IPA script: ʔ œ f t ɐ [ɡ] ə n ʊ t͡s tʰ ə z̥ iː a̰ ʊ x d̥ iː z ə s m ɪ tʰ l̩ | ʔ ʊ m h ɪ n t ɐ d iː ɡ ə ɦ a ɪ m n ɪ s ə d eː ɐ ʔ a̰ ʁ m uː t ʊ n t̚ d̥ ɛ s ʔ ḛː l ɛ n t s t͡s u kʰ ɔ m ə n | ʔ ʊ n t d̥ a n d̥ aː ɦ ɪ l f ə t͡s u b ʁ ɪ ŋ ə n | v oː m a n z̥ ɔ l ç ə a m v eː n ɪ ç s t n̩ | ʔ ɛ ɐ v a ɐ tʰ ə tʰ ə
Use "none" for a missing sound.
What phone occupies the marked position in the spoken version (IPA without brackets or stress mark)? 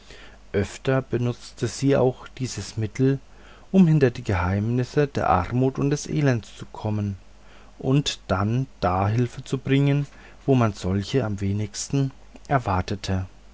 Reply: b